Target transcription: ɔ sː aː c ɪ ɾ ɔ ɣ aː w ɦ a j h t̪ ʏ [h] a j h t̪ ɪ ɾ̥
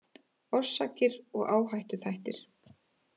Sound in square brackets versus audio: incorrect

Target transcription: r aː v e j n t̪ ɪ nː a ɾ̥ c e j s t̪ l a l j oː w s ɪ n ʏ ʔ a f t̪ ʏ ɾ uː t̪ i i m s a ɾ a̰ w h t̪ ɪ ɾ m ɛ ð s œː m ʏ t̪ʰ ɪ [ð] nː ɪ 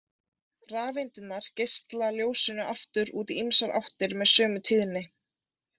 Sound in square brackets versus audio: correct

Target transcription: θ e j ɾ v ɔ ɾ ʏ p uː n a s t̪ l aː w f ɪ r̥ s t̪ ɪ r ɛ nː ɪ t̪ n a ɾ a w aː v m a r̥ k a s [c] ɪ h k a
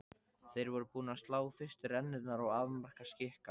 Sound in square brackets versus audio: correct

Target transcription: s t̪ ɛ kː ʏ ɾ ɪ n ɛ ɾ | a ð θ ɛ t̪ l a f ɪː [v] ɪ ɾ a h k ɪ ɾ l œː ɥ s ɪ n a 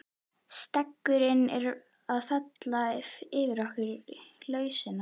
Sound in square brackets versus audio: correct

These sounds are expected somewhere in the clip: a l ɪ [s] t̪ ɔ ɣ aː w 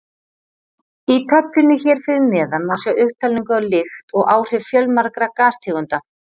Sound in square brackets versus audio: incorrect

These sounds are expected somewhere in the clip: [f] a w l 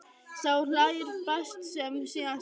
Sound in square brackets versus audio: incorrect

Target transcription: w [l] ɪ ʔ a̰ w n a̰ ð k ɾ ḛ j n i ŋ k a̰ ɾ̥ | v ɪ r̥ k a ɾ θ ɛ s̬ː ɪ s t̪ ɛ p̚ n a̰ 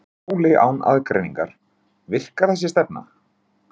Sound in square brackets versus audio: correct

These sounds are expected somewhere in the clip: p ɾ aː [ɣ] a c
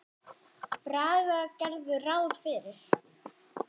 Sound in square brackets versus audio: correct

